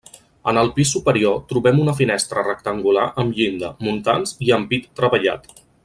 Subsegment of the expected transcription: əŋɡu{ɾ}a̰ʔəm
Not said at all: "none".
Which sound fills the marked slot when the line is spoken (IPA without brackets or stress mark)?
l